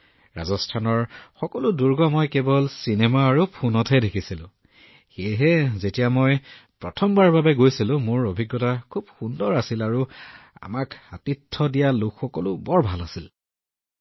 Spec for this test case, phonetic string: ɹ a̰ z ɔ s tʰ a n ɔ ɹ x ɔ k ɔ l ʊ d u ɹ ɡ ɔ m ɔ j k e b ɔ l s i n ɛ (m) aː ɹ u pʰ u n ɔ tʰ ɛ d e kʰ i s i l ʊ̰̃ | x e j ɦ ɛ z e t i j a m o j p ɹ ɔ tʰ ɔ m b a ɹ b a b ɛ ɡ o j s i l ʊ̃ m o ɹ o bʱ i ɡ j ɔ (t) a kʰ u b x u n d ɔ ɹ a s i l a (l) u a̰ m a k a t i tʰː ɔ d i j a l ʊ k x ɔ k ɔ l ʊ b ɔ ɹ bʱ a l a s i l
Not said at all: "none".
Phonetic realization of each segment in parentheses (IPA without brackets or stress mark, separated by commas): m, t, ɹ